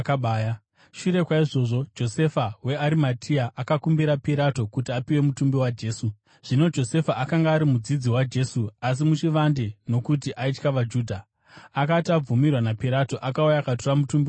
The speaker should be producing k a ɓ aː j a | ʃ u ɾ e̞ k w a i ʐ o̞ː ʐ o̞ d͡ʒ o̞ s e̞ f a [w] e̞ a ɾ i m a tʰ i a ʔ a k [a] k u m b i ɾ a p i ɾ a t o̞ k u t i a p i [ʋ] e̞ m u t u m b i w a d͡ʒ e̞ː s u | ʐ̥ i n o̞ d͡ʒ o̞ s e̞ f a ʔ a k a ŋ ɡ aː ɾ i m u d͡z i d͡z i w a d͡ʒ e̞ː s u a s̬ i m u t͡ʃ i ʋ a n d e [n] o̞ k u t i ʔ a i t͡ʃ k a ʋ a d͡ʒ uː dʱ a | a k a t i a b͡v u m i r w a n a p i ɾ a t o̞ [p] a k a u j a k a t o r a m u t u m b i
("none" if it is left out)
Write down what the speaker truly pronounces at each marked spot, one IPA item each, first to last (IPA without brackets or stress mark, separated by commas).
w, a, w, n, ʔ